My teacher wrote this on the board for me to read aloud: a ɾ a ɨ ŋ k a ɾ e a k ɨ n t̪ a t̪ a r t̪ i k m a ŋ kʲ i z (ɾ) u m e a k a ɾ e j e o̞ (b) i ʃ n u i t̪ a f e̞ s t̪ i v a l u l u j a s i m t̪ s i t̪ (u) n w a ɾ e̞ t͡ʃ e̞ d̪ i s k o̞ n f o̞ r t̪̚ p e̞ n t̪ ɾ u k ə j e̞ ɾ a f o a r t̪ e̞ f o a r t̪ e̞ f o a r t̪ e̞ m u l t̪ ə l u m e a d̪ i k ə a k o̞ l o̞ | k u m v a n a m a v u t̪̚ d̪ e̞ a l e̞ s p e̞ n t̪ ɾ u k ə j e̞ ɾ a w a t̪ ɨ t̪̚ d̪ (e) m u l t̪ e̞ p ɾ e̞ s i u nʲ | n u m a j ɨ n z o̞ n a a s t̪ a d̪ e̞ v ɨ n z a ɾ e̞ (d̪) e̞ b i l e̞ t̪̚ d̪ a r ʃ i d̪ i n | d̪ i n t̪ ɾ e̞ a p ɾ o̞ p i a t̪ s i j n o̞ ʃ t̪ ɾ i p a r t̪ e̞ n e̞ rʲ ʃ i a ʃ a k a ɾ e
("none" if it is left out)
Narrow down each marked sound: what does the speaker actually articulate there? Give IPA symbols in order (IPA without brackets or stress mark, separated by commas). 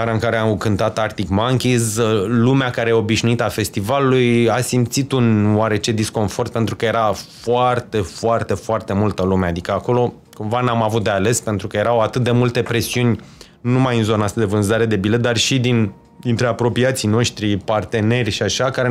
l, b, u, e, d̪